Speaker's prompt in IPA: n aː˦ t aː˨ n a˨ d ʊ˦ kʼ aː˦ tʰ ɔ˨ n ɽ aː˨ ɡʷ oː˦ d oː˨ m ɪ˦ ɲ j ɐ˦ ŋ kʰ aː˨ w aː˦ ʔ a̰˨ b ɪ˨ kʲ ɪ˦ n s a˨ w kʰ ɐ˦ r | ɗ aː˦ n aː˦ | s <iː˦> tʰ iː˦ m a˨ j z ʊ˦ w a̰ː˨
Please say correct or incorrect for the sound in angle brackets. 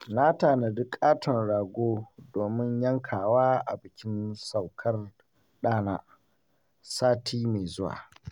incorrect